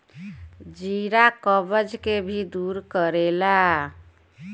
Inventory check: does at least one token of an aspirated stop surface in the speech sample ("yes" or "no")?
no